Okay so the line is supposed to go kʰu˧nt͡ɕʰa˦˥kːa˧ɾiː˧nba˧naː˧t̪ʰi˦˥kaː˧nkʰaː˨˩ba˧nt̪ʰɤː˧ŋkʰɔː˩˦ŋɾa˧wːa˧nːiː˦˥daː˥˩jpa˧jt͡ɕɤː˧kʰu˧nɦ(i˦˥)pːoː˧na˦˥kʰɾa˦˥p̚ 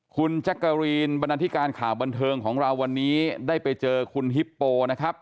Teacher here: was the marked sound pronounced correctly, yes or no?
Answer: yes